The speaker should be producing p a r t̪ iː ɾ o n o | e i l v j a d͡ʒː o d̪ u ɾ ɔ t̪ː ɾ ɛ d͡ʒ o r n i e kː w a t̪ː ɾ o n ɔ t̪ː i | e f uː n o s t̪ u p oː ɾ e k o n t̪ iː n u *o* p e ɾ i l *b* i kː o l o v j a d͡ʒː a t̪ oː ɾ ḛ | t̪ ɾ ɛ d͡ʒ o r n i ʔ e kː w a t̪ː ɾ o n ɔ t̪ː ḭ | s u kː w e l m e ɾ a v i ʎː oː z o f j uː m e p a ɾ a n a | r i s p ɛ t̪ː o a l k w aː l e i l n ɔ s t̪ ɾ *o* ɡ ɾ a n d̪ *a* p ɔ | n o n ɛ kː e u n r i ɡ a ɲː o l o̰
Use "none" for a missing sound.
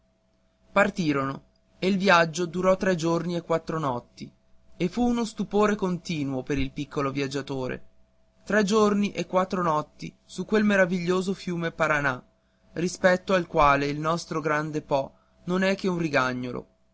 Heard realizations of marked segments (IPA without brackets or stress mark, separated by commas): o, p, o, e